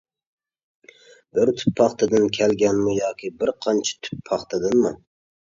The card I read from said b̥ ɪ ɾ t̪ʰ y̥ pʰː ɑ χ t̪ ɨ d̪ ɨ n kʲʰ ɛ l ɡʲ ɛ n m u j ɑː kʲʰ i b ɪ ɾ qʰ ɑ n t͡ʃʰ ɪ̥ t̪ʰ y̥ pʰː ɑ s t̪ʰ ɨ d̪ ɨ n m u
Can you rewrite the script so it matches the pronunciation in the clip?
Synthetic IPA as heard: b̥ ɪ ɾ t̪ʰ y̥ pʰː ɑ χ t̪ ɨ d̪ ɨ n kʲʰ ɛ l ɡʲ ɛ n m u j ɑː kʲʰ i b ɪ ɾ qʰ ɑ n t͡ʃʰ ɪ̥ t̪ʰ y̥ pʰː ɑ χ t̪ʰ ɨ d̪ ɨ n m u